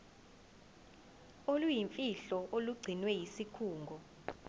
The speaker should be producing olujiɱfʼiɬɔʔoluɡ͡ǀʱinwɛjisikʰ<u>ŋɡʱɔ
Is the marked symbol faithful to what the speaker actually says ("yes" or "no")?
no